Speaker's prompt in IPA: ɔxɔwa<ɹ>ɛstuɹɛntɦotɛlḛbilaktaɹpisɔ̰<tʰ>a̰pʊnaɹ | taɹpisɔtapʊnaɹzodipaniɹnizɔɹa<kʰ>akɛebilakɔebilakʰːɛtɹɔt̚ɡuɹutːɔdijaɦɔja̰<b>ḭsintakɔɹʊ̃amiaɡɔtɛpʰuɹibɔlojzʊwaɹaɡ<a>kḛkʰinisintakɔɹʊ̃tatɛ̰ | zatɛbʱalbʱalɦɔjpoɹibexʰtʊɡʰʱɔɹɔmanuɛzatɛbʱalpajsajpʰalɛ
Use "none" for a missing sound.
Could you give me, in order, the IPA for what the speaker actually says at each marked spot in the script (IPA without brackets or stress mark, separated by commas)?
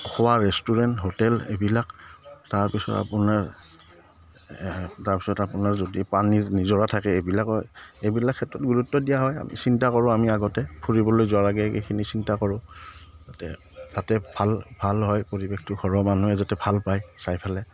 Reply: ɹ, t, tʰ, m, ɛ